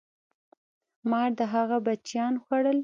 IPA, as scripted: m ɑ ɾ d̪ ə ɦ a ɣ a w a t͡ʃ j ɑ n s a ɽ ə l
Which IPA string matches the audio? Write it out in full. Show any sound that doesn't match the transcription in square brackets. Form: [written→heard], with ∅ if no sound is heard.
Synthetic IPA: m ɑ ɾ d̪ ə ɦ a ɣ a [w→b] a t͡ʃ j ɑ n [s→x] a ɽ ə l